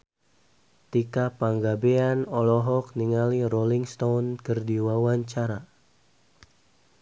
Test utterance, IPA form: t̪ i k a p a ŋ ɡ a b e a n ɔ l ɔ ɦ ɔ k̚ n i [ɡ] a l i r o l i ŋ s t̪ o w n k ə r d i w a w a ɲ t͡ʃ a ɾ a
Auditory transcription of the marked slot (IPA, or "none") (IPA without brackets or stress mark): ŋ